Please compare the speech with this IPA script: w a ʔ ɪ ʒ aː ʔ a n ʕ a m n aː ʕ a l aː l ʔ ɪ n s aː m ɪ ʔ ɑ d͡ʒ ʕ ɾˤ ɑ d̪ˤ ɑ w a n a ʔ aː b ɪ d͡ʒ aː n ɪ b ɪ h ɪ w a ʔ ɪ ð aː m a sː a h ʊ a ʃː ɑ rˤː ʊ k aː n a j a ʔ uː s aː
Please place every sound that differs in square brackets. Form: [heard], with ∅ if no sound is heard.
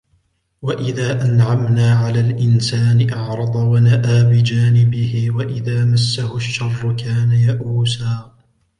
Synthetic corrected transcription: w a ʔ ɪ [ð] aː ʔ a n ʕ a m n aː ʕ a l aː l ʔ ɪ n s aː [n] ɪ ʔ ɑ [∅] ʕ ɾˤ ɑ d̪ˤ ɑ w a n a ʔ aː b ɪ d͡ʒ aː n ɪ b ɪ h ɪ w a ʔ ɪ ð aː m a sː a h ʊ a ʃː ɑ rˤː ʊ k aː n a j a ʔ uː s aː